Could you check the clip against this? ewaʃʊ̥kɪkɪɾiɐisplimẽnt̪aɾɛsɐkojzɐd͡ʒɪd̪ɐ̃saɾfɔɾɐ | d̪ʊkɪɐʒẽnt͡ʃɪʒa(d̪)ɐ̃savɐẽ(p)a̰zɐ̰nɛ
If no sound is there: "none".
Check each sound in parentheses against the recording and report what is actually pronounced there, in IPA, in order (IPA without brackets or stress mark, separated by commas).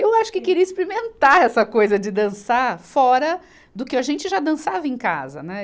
d̪, k